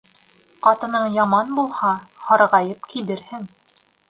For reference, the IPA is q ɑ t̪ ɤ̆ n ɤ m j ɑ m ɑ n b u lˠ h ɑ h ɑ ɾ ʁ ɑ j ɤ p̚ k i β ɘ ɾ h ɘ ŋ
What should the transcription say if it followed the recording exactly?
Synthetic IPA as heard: q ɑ t̪ ɤ̆ n ɤ ɴ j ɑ m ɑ n b u lˠ h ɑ h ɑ ɾ ʁ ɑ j ɤ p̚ k i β ɘ ɾ h ɘ ŋ